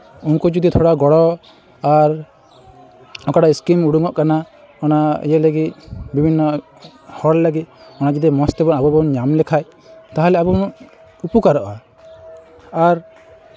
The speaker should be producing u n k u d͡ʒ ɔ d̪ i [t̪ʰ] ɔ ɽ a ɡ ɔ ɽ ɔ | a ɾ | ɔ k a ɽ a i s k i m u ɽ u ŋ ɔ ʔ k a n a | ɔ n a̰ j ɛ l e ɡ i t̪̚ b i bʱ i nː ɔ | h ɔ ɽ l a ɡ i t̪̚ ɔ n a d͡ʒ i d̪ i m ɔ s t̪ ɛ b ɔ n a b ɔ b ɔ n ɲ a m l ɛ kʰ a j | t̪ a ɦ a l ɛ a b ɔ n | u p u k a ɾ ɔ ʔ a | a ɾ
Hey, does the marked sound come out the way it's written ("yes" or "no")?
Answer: yes